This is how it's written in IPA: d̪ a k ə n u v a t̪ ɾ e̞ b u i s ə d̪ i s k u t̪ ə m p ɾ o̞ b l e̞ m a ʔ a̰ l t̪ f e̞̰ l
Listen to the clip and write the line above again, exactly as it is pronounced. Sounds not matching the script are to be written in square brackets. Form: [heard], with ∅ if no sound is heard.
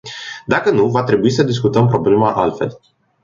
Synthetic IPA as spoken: d̪ a k ə n u v a t̪ ɾ e̞ b u i s ə d̪ i s k u t̪ ə m p ɾ o̞ b l e̞ m a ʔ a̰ l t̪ f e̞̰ l